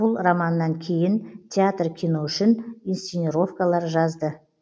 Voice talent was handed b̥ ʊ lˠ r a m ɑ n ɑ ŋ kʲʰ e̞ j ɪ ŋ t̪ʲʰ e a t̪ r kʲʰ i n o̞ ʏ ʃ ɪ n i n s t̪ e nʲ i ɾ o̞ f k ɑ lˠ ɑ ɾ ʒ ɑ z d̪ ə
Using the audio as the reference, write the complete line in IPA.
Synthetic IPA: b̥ ʊ lˠ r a m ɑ nː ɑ ŋ kʲʰ e̞ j ɪ n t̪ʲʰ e a t̪ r kʲʰ i n o̞ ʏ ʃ ɪ n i n s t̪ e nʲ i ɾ o̞ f k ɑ lˠ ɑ ɾ ʒ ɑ z d̪ ə